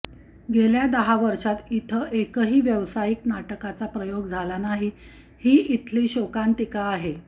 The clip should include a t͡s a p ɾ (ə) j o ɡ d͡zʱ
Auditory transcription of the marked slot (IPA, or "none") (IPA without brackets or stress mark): ə